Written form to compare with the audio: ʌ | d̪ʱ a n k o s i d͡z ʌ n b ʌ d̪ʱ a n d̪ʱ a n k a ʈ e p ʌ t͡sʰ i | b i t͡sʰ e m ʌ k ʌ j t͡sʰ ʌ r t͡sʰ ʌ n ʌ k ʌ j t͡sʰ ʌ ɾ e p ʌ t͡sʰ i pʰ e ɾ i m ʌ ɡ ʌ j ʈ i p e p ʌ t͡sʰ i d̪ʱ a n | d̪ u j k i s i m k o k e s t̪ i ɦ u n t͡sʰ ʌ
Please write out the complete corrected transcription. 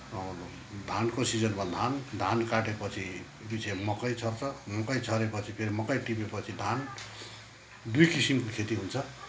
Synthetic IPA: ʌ | d̪ʱ a n k o s i d͡z ʌ n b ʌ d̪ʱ a n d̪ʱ a n k a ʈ e p ʌ t͡sʰ i | b i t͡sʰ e m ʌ k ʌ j t͡sʰ ʌ r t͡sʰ ʌ m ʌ k ʌ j t͡sʰ ʌ ɾ e p ʌ t͡sʰ i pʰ e ɾ i m ʌ k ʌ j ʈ i p e p ʌ t͡sʰ i d̪ʱ a n | d̪ u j k i s i m k o kʰ e t̪ i ɦ u n t͡sʰ ʌ